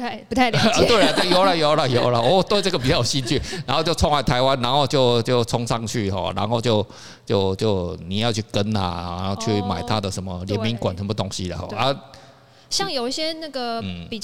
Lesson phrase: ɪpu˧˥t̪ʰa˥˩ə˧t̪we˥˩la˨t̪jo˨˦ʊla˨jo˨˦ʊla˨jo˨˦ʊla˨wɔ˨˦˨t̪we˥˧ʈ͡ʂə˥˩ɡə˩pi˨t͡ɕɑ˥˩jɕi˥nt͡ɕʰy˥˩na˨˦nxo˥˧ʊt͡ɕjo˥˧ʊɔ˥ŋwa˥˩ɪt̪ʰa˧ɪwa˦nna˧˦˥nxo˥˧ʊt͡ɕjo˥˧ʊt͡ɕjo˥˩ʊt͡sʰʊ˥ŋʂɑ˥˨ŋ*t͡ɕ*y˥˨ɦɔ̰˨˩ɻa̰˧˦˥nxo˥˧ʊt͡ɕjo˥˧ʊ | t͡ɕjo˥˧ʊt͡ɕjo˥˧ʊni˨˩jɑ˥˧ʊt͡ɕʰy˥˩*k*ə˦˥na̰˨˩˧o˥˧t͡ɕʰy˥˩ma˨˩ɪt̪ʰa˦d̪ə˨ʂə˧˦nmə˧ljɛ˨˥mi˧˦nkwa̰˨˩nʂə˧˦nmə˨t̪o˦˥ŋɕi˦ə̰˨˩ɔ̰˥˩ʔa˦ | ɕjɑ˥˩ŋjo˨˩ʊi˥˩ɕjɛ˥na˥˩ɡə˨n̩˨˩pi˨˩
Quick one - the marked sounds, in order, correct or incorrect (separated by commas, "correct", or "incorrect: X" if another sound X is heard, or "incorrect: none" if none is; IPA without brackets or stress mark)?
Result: incorrect: t͡ɕʰ, correct